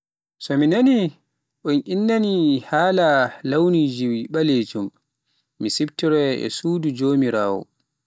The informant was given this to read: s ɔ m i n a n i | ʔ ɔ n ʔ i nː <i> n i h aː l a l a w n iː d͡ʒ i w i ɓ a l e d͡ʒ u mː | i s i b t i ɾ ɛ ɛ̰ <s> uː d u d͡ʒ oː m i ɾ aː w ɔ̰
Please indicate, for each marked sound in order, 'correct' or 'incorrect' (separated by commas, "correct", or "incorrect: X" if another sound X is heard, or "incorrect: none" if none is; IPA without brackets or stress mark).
incorrect: a, correct